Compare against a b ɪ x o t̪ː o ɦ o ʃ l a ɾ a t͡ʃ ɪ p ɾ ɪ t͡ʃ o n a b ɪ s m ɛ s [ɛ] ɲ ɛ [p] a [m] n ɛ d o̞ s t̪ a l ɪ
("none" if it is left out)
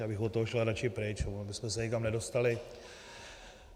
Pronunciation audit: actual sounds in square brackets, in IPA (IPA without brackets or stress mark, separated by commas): ɛ, k, m